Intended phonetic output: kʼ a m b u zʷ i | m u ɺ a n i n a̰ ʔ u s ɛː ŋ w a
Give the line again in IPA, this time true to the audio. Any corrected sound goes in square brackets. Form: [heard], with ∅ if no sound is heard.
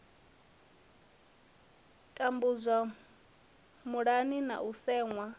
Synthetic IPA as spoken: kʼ a m b u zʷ [a] | m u ɺ a n i n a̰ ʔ u s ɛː ŋ w a

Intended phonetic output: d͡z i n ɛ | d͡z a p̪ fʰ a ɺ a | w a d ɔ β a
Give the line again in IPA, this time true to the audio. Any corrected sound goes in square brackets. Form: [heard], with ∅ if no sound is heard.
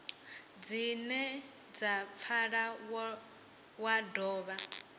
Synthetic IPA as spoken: d͡z i n ɛ | d͡z a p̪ fʰ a ɺ a | w a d [ɔː] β a

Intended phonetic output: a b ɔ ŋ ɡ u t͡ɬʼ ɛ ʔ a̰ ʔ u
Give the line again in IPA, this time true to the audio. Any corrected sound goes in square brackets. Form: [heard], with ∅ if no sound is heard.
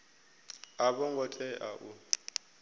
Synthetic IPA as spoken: a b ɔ ŋ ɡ [ɔ] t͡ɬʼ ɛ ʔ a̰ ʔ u

